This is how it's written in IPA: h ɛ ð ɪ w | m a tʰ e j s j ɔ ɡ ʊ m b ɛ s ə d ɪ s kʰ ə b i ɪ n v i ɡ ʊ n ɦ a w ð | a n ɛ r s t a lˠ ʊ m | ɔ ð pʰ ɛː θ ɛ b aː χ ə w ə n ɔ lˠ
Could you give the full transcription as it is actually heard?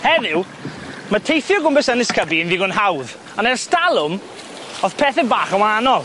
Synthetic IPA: h ɛ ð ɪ w | m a tʰ e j θ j ɔ ɡ ʊ m b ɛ s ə n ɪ s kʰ ə b i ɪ n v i ɡ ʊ n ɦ a w ð | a n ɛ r s t a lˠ ʊ m | ɔ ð pʰ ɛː θ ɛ b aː χ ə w a n ɔ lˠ

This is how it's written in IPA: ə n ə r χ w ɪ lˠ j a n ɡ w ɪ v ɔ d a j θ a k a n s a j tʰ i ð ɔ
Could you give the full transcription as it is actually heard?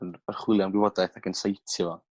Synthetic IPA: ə n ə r χ w ɪ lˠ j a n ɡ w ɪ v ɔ d a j θ a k ə n s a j tʰ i v ɔ

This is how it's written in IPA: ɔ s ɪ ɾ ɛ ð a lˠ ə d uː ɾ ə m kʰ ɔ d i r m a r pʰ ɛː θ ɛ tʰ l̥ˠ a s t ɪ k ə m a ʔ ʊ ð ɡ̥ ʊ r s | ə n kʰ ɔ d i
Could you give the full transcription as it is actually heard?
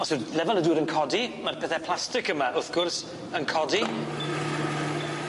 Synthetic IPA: ɔ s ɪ l ɛ v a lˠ ə d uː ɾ ə n kʰ ɔ d i m a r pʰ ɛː θ ɛ pʰ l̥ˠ a s t ɪ k ə m a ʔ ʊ θ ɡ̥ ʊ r s | ə n kʰ ɔ d i

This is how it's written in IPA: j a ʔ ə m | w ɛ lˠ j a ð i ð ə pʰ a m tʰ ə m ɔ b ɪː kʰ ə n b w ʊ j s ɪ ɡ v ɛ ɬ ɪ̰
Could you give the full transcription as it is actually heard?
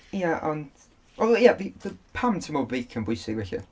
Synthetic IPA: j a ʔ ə n | w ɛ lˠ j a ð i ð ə pʰ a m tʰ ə m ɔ b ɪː kʰ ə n b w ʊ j s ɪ ɡ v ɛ ɬ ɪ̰

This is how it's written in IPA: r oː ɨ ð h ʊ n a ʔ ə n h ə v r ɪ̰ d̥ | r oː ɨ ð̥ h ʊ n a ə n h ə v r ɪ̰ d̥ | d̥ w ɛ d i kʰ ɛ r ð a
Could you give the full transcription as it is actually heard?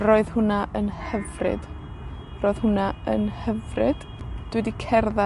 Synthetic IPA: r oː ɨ ð h ʊ n a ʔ ə n h ə v r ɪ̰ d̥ | r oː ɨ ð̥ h ʊ n a ə n h ə v r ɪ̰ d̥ | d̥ w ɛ d i kʰ ɛ r ð a

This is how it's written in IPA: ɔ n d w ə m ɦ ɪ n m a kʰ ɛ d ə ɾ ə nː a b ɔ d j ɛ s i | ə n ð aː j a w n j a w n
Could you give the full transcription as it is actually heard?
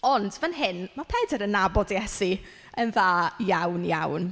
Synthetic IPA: ɔ n d v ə n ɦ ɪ n m a pʰ ɛ d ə ɾ ə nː a b ɔ d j ɛ s i | ə n ð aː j a w n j a w n

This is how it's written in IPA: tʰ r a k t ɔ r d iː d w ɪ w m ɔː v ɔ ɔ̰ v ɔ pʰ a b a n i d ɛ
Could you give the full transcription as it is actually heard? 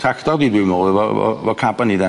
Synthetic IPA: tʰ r a k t ɔ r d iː d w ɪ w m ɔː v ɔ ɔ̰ v ɔ kʰ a b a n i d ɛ

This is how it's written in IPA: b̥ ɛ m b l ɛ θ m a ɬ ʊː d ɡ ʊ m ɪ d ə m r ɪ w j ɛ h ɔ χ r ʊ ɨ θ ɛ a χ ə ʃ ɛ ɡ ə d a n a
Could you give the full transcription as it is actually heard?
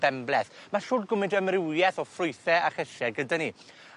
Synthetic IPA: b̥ ɛ m b l ɛ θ m a ɬ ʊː d ɡ ʊ m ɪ d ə m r ɪ w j ɛ θ ɔ f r ʊ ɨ θ ɛ a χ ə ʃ ɛ ɡ ə d a n i

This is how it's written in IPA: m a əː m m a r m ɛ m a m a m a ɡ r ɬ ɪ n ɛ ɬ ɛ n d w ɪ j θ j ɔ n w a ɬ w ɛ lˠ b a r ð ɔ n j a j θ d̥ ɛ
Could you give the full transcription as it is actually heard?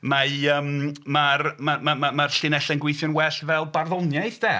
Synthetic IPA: m a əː m m a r m a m a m a m a r ɬ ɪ n ɛ ɬ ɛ n ɡ w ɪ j θ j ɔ n w ɛ ɬ v ɛ lˠ b a r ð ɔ n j a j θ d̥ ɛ

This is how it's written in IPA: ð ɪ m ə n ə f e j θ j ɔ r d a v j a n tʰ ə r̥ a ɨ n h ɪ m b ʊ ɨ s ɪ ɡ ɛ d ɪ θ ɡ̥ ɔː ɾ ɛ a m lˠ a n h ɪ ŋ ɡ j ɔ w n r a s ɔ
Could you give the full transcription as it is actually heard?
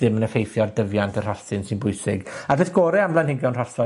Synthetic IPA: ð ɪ m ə n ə f e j θ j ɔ r d ə v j a n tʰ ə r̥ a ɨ n s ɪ n b ʊ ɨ s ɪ ɡ a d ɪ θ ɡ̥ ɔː ɾ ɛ a m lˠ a n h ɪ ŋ ɡ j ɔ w n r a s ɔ

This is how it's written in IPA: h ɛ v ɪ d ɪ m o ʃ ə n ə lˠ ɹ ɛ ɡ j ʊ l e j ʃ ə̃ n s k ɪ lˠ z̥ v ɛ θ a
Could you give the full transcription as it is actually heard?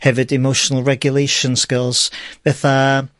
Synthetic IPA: h ɛ v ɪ d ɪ m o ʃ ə n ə lˠ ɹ ɛ ɡ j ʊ l e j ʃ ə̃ n s k ɪ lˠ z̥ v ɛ θ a

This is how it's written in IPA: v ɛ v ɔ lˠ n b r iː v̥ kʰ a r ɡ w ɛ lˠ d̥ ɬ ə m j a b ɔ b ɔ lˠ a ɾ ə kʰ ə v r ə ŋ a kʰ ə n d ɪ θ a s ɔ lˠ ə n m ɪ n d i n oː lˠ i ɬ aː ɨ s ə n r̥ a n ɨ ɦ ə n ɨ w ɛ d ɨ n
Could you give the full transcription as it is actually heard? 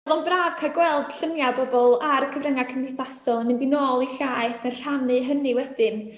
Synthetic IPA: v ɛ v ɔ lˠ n b r aː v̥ kʰ a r ɡ w ɛ lˠ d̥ ɬ ə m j a b ɔ b ɔ lˠ a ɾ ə kʰ ə v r ə ŋ a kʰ ə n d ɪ θ a s ɔ lˠ ə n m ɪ n d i n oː lˠ i ɬ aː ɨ θ ə n r̥ a n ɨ ɦ ə n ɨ w ɛ d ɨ n

